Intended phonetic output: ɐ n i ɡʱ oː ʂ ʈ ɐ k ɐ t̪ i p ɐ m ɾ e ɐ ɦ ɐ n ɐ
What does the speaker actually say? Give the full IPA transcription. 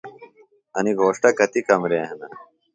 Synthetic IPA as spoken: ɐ n i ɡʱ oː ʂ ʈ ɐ k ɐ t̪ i k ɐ m ɾ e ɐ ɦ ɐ n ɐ